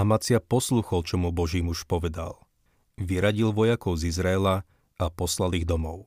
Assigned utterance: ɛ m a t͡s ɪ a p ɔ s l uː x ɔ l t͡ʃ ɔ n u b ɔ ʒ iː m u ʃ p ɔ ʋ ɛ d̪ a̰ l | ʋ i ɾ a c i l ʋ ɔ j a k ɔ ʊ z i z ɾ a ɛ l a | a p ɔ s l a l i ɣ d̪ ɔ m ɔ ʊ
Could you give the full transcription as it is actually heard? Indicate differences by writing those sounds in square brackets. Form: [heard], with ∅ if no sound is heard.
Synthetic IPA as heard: [a] m a t͡s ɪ a p ɔ s l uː x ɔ l t͡ʃ ɔ [m] u b ɔ ʒ iː m u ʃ p ɔ ʋ ɛ d̪ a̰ l | ʋ i ɾ a [ɟ] i l ʋ ɔ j a k ɔ ʊ z i z ɾ a ɛ l a | a p ɔ s l a l i ɣ d̪ ɔ m ɔ ʊ